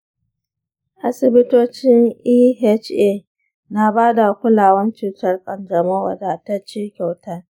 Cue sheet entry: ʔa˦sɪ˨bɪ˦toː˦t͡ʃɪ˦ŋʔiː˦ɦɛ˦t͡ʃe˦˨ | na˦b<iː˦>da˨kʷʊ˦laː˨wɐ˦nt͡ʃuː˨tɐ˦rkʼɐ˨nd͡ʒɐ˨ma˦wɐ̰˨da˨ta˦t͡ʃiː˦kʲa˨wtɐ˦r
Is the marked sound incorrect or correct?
incorrect: aː˦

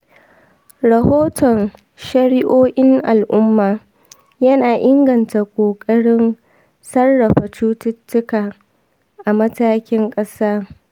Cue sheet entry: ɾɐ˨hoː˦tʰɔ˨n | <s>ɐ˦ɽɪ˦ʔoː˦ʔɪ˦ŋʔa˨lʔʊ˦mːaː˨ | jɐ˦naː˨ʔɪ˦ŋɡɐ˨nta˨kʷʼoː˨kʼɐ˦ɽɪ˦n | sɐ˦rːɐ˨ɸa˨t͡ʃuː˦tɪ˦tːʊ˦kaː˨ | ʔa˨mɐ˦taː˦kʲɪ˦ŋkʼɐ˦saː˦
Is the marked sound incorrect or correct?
incorrect: ʃ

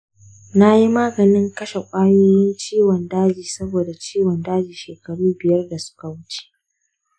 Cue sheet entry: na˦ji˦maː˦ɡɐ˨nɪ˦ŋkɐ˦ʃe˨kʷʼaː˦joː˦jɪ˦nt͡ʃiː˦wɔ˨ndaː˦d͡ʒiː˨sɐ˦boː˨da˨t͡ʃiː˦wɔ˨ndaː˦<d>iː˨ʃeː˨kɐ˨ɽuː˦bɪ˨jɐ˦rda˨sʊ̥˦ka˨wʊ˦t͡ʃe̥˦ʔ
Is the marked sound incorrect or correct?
incorrect: d͡ʒ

